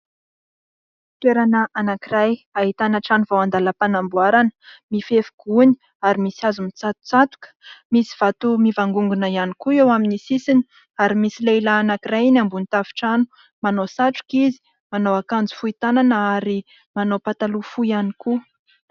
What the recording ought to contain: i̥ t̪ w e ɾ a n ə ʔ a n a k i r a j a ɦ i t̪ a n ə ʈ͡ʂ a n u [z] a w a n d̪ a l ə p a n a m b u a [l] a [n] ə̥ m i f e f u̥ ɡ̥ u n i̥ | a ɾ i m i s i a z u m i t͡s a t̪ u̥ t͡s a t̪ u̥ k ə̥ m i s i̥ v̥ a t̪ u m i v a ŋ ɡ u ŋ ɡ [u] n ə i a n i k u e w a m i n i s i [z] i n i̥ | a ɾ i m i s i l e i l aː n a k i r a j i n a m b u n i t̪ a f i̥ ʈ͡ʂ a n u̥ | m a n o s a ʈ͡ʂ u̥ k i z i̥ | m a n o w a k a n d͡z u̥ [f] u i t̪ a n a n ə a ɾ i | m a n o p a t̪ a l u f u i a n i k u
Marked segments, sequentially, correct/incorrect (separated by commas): incorrect, incorrect, correct, correct, incorrect, correct